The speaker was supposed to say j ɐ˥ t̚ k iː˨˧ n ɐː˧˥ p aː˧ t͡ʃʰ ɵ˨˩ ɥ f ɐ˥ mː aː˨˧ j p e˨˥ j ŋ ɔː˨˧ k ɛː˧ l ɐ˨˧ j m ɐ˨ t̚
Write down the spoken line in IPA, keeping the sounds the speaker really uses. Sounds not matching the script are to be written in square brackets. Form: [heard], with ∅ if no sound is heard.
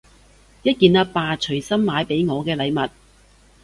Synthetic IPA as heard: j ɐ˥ t̚ k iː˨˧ n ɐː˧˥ p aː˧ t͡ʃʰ ɵ˨˩ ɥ [s] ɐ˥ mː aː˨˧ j p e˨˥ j ŋ ɔː˨˧ k ɛː˧ l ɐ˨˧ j m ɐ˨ t̚